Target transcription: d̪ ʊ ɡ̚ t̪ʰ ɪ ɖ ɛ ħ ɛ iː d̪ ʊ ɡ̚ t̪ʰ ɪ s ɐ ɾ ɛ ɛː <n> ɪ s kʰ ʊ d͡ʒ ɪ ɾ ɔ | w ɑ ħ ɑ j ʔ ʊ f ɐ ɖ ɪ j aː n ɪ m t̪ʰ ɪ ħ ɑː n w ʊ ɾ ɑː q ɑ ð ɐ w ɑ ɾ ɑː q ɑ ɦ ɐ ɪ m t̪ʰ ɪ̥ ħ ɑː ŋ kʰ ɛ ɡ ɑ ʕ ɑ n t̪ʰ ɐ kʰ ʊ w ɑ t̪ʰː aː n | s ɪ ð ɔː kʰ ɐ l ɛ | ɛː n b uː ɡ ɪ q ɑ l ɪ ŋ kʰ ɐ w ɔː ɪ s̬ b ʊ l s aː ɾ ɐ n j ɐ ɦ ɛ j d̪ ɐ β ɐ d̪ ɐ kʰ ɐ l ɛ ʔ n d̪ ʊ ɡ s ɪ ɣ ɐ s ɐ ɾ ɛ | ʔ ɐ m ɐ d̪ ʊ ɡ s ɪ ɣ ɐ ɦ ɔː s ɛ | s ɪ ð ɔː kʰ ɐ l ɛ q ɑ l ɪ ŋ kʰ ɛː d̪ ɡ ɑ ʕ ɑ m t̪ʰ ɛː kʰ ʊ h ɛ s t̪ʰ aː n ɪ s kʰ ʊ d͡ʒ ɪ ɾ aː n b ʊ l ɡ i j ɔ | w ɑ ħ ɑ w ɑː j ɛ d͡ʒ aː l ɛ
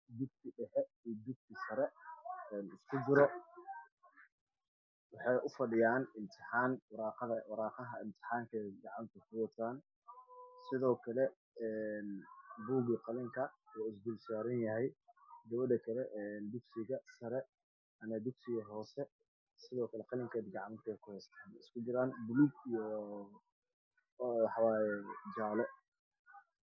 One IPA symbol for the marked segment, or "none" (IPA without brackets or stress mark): n